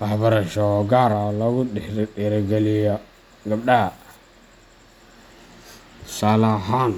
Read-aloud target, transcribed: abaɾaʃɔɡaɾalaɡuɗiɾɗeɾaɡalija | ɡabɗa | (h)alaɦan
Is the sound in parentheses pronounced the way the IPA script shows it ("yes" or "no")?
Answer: no